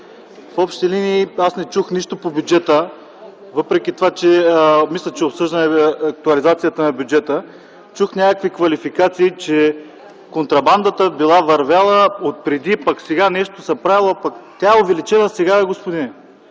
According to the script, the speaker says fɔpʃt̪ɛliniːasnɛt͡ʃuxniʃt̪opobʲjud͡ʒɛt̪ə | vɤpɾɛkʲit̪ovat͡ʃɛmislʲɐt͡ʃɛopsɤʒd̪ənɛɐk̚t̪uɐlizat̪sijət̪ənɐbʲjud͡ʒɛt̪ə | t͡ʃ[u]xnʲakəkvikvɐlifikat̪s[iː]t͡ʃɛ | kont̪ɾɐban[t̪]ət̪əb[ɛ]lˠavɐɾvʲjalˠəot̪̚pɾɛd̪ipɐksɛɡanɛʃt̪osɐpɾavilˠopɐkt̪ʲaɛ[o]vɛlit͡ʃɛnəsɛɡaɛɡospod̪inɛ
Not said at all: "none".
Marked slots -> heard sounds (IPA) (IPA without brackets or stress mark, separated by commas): u, iː, d̪, i, o